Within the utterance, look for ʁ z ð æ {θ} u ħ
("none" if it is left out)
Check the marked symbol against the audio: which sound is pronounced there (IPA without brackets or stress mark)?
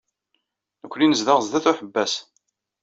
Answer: θ